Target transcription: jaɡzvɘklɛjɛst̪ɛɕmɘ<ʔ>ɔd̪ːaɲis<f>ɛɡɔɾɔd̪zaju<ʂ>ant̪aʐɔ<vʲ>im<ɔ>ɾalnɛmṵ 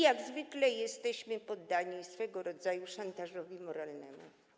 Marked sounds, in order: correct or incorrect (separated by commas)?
incorrect, correct, correct, correct, correct